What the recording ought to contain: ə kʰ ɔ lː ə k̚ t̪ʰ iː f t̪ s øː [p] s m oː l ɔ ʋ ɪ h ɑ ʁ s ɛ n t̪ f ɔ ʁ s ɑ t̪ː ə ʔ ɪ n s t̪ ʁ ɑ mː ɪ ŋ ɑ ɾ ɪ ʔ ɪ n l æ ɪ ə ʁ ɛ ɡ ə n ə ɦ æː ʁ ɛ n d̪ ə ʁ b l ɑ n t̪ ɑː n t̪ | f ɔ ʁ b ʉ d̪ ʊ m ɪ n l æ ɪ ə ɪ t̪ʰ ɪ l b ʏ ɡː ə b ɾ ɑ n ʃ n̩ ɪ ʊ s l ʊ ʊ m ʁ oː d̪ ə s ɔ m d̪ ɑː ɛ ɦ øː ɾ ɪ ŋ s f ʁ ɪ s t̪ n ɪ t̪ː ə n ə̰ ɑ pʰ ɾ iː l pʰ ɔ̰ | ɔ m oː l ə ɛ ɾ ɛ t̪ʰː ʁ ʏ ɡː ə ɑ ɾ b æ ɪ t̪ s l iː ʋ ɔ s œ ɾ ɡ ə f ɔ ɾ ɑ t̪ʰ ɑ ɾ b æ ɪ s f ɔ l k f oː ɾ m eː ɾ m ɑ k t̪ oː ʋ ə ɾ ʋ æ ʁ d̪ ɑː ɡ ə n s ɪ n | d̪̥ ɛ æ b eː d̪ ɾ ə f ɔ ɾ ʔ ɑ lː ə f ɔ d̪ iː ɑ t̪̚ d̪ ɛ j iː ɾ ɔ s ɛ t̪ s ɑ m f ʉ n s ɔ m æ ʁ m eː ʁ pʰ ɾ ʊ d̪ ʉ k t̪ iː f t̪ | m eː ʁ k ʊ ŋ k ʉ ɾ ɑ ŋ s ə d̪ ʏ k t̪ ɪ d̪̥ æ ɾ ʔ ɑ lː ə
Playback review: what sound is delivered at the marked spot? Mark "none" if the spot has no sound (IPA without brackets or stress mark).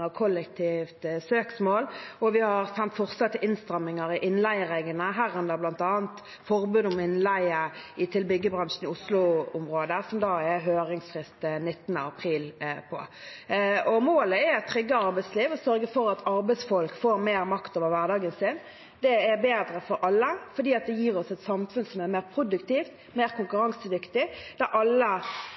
k